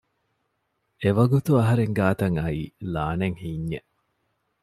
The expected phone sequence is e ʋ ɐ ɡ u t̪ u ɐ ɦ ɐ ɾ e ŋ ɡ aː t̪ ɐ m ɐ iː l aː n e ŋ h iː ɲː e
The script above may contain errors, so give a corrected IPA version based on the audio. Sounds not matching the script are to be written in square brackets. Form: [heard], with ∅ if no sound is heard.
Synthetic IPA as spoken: e ʋ ɐ ɡ u t̪ u ɐ ɦ ɐ ɾ e ŋ ɡ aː t̪ ɐ [ŋ] ɐ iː l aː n e ŋ h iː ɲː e